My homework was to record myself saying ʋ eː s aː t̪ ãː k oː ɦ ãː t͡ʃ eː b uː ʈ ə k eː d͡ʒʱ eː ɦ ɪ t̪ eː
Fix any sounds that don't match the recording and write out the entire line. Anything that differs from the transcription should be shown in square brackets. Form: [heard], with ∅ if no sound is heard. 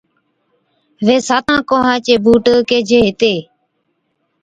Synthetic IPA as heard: ʋ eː s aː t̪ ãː k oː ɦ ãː t͡ʃ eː b uː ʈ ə k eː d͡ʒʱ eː ɦ ɪ t̪ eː

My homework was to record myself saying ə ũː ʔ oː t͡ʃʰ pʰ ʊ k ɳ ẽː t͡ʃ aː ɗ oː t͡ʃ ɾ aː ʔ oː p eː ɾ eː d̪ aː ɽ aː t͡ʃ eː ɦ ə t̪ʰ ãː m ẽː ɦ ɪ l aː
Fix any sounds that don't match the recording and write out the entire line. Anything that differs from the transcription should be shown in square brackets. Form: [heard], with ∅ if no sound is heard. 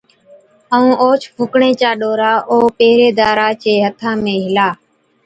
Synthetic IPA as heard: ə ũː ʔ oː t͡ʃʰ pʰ ʊ k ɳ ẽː t͡ʃ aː ɗ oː [∅] ɾ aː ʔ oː p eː ɾ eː d̪ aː [ɾ] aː t͡ʃ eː ɦ ə t̪ʰ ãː m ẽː ɦ ɪ l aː

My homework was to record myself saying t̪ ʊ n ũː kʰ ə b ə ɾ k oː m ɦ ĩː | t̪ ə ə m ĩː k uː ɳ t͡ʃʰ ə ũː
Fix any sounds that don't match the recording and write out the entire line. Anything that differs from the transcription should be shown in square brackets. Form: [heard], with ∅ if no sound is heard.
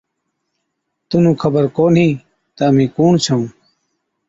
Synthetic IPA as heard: t̪ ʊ n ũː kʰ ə b ə ɾ k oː [n] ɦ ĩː | t̪ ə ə m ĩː k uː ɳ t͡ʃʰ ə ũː

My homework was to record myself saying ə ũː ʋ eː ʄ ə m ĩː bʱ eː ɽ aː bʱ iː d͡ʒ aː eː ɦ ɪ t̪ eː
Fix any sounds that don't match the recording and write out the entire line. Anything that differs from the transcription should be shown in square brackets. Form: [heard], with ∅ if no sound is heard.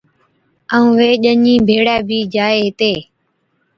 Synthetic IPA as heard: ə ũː ʋ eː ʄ ə [ɲ] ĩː bʱ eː ɽ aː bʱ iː d͡ʒ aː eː ɦ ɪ t̪ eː

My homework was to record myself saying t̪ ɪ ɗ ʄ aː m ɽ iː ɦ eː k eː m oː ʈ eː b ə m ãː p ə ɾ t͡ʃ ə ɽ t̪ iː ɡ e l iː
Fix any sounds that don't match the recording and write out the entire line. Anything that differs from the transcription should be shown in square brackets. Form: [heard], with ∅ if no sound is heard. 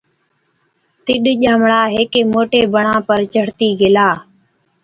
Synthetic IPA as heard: t̪ ɪ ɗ ʄ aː m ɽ [aː] ɦ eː k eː m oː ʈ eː b ə [ɳ] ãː p ə ɾ t͡ʃ ə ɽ t̪ iː ɡ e l [aː]

